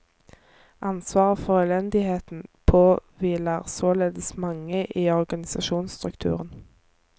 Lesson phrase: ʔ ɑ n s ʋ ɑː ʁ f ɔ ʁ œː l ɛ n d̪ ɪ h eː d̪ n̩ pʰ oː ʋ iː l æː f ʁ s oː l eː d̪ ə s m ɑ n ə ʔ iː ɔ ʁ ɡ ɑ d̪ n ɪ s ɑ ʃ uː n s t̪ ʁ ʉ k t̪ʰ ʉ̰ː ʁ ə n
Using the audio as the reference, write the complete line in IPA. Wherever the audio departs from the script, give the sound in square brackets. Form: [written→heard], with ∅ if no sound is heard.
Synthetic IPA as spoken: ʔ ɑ n s ʋ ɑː ʁ f ɔ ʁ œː l ɛ n d̪ ɪ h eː [d̪→t̪] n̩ pʰ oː ʋ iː l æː [f→∅] ʁ s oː l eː d̪ ə s m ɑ [n→ŋ] ə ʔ iː ɔ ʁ ɡ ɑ [d̪→∅] n ɪ s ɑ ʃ uː n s t̪ ʁ ʉ k t̪ʰ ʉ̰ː ʁ ə n

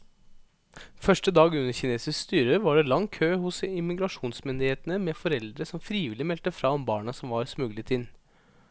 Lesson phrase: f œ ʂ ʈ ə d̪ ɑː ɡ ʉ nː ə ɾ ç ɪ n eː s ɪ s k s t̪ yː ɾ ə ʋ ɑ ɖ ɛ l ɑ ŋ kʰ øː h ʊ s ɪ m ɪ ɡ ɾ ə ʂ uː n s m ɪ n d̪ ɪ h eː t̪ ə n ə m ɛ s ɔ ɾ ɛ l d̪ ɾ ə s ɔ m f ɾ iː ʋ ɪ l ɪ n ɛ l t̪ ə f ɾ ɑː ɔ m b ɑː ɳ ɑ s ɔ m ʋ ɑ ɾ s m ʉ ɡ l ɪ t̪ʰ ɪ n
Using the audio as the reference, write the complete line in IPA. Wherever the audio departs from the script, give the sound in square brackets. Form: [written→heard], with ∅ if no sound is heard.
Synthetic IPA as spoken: f œ ʂ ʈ ə d̪ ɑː ɡ ʉ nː ə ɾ ç ɪ n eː s ɪ s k s t̪ yː ɾ ə ʋ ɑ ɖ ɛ l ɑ ŋ kʰ øː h ʊ s ɪ m ɪ ɡ ɾ [ə→ɑ] ʂ uː n s m ɪ n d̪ ɪ h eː t̪ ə n ə m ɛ [s→f] ɔ ɾ ɛ l d̪ ɾ ə s ɔ m f ɾ iː ʋ ɪ l ɪ [n→m] ɛ l t̪ ə f ɾ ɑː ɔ m b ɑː ɳ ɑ s ɔ m ʋ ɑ ɾ s m ʉ ɡ l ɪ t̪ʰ ɪ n

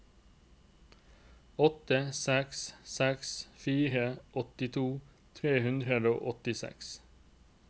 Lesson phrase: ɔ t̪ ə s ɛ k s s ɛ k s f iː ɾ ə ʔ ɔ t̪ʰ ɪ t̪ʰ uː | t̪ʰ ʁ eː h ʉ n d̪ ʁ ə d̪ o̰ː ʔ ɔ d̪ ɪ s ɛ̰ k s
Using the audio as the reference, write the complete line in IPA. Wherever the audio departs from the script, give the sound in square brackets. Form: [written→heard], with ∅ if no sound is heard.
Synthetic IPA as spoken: ɔ t̪ ə s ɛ k s s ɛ k s f iː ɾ ə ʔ ɔ [t̪ʰ→t̪] ɪ t̪ʰ uː | t̪ʰ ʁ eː h ʉ n d̪ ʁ ə d̪ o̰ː ʔ ɔ [d̪→t̪] ɪ s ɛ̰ k s

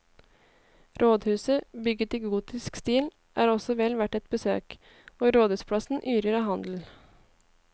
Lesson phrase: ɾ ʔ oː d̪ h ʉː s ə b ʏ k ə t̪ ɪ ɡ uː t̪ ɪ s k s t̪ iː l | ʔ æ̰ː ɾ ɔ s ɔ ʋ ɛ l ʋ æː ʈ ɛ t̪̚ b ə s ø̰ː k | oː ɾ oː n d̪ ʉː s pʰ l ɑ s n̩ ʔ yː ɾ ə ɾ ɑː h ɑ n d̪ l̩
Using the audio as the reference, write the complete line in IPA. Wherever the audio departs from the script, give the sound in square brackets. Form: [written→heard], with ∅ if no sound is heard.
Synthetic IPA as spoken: ɾ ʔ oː d̪ h ʉː s ə b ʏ [k→ɡ] ə t̪ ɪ ɡ uː t̪ ɪ s k s t̪ iː l | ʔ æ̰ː ɾ ɔ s ɔ ʋ ɛ l ʋ [æː→æ] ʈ ɛ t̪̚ b ə s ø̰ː k | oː ɾ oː [n→∅] d̪ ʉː s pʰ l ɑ s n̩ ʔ yː ɾ ə ɾ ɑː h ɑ n d̪ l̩

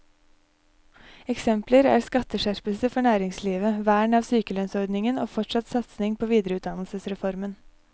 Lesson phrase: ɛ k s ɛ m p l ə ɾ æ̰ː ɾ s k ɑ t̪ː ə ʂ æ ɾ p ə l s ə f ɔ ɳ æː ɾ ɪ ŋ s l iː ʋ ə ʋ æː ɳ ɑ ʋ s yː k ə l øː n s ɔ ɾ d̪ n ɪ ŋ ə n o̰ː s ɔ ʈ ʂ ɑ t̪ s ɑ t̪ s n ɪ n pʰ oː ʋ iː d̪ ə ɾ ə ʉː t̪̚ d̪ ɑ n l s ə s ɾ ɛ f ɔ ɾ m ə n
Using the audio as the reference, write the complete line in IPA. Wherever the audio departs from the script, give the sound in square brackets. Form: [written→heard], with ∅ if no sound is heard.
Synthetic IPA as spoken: ɛ k s ɛ m p l ə ɾ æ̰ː ɾ s k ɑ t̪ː ə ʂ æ ɾ p ə l s ə f ɔ ɳ æː ɾ ɪ ŋ s l iː ʋ ə ʋ æː ɳ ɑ ʋ s yː k ə l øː n s ɔ ɾ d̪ n ɪ ŋ ə n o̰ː [s→f] ɔ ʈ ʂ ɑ t̪ s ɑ t̪ s n ɪ [n→ŋ] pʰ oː ʋ iː d̪ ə ɾ ə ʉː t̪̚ d̪ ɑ n l s ə s ɾ ɛ f ɔ ɾ m ə n

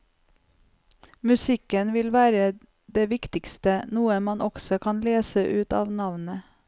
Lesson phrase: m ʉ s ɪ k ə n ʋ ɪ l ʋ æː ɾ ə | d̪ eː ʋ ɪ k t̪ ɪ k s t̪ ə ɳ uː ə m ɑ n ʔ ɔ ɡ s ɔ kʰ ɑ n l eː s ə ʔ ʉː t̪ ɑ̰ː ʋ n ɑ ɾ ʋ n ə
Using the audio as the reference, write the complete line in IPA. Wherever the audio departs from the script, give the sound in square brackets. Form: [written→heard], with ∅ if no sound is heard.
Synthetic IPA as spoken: m ʉ s ɪ k ə n ʋ ɪ l ʋ æː ɾ ə | d̪ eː ʋ ɪ k t̪ ɪ k s t̪ ə [ɳ→n] uː ə m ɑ n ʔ ɔ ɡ s ɔ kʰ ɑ n l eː s ə ʔ ʉː t̪ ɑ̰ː ʋ n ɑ [ɾ→∅] ʋ n ə

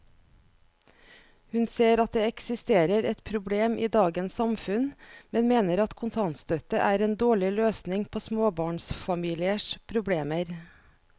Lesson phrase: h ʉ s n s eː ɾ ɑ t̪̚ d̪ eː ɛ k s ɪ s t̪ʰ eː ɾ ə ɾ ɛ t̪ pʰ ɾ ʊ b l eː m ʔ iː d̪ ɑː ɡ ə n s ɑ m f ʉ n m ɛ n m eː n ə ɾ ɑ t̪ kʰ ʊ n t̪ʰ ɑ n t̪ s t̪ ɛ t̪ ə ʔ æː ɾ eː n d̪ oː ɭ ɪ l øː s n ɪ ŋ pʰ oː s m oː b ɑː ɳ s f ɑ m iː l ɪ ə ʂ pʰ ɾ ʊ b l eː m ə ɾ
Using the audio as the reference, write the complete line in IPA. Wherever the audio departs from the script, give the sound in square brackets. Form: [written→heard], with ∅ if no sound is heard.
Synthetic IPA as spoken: h ʉ [s→∅] n s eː ɾ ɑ t̪̚ d̪ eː ɛ k s ɪ s [t̪ʰ→t̪] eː ɾ ə ɾ ɛ t̪ pʰ ɾ ʊ b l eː m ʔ iː d̪ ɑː ɡ ə n s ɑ m f ʉ n m ɛ n m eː n ə ɾ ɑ t̪ kʰ ʊ n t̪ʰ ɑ n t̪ s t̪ [ɛ→œ] t̪ ə ʔ æː ɾ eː n d̪ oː ɭ ɪ l øː s n ɪ ŋ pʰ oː s m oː b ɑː ɳ s f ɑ m iː l ɪ ə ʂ pʰ ɾ ʊ b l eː m ə ɾ

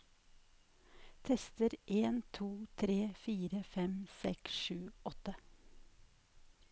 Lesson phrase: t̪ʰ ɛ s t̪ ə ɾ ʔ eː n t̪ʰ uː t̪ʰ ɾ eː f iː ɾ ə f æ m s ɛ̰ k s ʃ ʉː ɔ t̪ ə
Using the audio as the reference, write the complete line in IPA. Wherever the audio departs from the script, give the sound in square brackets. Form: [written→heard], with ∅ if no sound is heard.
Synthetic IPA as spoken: t̪ʰ ɛ s t̪ ə ɾ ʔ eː n t̪ʰ uː t̪ʰ ɾ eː f iː ɾ ə f [æ→ɛ] m s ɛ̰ k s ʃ ʉː ɔ t̪ ə

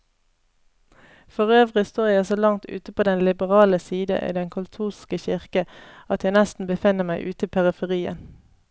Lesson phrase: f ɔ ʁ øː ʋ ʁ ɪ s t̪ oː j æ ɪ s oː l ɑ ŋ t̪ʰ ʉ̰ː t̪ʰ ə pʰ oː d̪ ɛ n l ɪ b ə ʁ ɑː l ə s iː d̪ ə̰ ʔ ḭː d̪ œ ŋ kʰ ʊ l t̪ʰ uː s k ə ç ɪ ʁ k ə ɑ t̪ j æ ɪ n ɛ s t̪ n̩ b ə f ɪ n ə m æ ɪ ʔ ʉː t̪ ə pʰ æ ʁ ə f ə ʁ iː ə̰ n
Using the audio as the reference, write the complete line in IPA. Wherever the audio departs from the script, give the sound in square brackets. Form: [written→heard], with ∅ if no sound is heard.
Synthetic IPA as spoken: f ɔ ʁ øː ʋ ʁ ɪ s t̪ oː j æ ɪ s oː l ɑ ŋ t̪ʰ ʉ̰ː [t̪ʰ→t̪] ə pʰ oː d̪ ɛ n l ɪ b ə ʁ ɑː l ə s iː d̪ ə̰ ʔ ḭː d̪ [œ→ɛ] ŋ kʰ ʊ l t̪ʰ uː s k ə ç ɪ ʁ k ə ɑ t̪ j æ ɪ n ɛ s t̪ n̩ b ə f ɪ n ə m æ ɪ ʔ ʉː t̪ ə pʰ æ ʁ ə f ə ʁ iː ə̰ n

